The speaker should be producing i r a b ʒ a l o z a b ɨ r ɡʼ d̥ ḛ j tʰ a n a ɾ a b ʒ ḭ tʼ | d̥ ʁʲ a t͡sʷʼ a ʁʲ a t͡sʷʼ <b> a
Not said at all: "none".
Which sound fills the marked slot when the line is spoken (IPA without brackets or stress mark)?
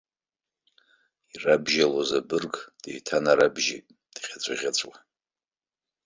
w